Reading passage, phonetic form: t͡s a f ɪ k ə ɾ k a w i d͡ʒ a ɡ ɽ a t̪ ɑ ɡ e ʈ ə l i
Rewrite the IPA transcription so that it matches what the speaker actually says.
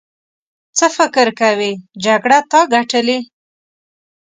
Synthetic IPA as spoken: t͡s ə f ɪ k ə ɾ k a w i d͡ʒ a ɡ ɽ a t̪ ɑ ɡ a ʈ ə l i

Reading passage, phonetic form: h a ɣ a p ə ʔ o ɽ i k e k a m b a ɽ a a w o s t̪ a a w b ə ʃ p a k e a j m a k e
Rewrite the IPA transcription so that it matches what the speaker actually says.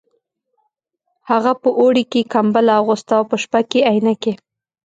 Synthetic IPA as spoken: h a ɣ a p ə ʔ o ɽ i k e k a m b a l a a ɣ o s t̪ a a w p ə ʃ p a k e a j n a k e

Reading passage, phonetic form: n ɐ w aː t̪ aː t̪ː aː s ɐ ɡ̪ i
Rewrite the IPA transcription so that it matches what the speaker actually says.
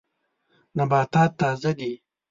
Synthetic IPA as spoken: n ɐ b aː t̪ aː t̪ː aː z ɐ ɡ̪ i

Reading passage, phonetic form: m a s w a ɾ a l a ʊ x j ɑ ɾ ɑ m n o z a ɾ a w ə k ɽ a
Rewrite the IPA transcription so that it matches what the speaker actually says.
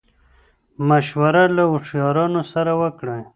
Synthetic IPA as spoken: m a ʃ w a ɾ a l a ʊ ʂ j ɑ ɾ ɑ n o s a ɾ a w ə k ɽ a

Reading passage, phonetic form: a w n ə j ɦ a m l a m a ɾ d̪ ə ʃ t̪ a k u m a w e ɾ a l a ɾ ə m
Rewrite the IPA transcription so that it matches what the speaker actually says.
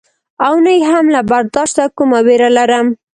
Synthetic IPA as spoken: a w n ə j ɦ a m l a b a ɾ d̪ ɑ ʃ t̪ a k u m a w e ɾ a l a ɾ ə m

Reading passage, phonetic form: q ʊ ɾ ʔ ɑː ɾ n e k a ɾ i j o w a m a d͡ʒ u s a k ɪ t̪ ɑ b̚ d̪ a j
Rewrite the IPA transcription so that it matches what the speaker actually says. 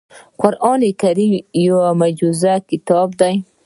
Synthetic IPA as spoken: q ʊ ɾ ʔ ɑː n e k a ɾ i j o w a m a d͡ʒ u z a k ɪ t̪ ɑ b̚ d̪ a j

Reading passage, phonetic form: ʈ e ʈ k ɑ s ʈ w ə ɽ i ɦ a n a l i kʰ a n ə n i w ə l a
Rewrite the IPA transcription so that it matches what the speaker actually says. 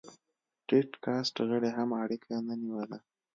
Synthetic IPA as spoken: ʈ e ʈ k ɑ s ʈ ɣ ə ɽ e ɦ a m a ɽ i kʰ a n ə n i w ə l a

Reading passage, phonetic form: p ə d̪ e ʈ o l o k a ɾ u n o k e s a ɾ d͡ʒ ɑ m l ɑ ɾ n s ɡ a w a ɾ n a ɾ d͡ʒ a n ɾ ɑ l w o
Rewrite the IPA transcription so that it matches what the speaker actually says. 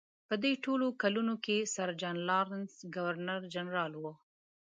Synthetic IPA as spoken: p ə d̪ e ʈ o l o k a l u n o k e s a ɾ d͡ʒ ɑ n l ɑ ɾ n s ɡ a w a ɾ n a ɾ d͡ʒ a n ɾ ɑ l w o

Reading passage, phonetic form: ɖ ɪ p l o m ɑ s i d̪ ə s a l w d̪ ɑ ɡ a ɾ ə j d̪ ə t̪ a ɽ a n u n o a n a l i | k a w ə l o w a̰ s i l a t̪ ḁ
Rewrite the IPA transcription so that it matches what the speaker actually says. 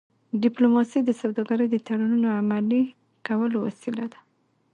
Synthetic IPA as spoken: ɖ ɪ p l o m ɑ s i d̪ ə s a w d̪ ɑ ɡ a ɾ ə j d̪ ə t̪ a ɽ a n u n o a m a l i | k a w ə l o w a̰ s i l a d̪ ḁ

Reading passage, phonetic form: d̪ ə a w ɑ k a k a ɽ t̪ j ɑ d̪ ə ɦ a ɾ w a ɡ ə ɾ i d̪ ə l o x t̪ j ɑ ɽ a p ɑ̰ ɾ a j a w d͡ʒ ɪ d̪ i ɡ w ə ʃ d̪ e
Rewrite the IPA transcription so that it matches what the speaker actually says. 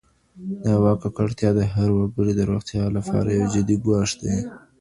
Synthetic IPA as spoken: d̪ ə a w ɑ k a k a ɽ t̪ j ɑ d̪ ə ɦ a ɾ w a ɡ ə ɽ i d̪ ə ɾ o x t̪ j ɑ l a p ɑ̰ ɾ a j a w d͡ʒ ɪ d̪ i ɡ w ɑ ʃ d̪ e

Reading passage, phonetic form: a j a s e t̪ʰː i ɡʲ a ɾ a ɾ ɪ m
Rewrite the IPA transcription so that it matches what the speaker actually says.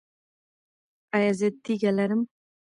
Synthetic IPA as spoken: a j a z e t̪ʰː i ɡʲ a l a ɾ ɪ m

